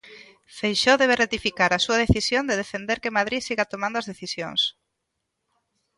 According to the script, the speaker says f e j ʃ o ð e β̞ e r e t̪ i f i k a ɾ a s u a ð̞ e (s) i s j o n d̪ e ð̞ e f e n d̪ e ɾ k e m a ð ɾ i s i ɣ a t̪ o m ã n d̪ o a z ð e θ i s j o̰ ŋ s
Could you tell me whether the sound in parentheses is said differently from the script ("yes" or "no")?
yes